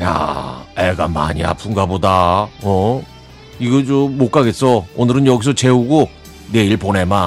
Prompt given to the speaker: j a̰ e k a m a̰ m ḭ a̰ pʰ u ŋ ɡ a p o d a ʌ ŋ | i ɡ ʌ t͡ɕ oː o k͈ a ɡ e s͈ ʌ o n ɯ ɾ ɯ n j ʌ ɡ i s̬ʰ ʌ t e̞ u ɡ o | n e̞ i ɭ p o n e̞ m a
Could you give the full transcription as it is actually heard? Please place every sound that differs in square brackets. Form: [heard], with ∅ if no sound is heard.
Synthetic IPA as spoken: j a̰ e [ɡ] a m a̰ [ɲ] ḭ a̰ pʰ u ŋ ɡ a [b] o d a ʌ [∅] | i ɡ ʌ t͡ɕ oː o k͈ a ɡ e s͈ ʌ o n ɯ ɾ ɯ n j ʌ ɡ i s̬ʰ ʌ [t͡ɕ] e̞ u ɡ o | n e̞ i ɭ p o n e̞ m a